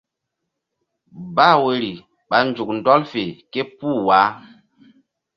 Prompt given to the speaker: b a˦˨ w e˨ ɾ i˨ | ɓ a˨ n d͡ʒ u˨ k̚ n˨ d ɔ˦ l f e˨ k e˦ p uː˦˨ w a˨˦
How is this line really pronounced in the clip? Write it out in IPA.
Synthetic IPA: b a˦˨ w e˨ ɾ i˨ | ɓ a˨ n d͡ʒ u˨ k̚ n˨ d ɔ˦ l f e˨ k e˦ p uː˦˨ w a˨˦